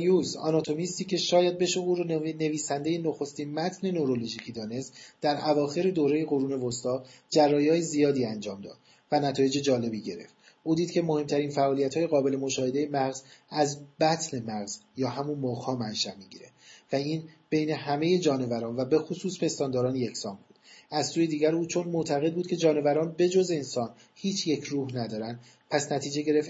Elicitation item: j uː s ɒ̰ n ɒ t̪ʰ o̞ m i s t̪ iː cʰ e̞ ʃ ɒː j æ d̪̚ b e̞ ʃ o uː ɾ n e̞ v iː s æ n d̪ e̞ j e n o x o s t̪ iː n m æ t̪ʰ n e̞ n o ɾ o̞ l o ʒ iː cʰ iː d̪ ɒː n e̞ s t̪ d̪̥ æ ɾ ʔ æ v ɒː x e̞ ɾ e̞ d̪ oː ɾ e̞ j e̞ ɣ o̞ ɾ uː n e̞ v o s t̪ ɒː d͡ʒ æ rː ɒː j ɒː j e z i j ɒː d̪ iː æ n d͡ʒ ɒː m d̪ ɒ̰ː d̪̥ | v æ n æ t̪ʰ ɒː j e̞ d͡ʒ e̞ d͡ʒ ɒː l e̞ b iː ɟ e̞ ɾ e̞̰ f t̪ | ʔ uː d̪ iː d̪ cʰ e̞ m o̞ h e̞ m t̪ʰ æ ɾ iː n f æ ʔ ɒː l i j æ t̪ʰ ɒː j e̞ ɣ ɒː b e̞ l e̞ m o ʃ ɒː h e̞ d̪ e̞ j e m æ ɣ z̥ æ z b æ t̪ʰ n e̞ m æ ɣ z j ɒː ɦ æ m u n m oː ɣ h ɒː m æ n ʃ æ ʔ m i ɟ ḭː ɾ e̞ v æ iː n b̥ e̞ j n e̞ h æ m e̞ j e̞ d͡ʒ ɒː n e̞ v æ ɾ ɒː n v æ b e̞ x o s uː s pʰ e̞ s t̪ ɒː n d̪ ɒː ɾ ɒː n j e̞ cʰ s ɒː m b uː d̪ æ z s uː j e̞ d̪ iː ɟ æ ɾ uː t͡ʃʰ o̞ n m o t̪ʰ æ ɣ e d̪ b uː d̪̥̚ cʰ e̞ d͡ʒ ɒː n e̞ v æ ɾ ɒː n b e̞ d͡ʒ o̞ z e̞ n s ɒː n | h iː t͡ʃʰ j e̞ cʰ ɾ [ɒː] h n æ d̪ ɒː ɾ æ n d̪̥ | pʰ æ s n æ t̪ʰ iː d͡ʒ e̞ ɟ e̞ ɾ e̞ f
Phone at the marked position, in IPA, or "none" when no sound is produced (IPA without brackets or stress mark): uː